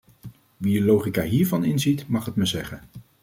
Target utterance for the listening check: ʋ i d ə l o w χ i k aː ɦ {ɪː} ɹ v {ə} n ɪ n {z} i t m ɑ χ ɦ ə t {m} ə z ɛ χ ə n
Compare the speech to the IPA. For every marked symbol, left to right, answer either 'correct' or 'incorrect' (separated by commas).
incorrect, incorrect, correct, correct